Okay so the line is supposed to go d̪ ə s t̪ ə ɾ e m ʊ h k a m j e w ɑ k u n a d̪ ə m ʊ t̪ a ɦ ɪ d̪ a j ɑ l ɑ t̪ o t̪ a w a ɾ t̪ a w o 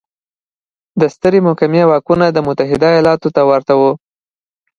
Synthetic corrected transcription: d̪ ə s t̪ ə ɾ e m ʊ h k a m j e w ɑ k u n a d̪ ə m ʊ t̪ a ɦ ɪ d̪ a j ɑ l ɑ t̪ o t̪ a w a ɾ t̪ a w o